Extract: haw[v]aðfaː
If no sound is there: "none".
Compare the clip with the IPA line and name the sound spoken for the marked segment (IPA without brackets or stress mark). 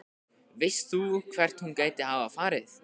v